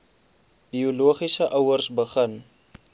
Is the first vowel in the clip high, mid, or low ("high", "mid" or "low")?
high